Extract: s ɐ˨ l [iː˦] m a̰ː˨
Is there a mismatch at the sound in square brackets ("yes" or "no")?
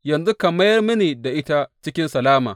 yes